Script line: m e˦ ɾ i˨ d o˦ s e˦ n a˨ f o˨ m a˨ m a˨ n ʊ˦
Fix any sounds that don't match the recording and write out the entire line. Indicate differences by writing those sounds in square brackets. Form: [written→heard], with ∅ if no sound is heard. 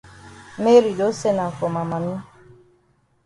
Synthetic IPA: m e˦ ɾ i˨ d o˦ s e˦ n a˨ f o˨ m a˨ m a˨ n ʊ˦